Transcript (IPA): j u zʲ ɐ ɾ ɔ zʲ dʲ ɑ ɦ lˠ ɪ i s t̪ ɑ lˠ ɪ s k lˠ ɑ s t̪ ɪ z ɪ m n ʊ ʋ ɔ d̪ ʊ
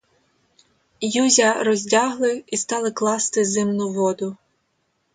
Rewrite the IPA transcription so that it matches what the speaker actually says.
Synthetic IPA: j u zʲ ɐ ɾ ɔ zʲ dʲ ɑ ɦ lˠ ɪ i s t̪ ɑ lˠ ɪ k lˠ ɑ s t̪ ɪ z ɪ m n ʊ ʋ ɔ d̪ ʊ